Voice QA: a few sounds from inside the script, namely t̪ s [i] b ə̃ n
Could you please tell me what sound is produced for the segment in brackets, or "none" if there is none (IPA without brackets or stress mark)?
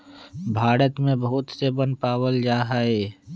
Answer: e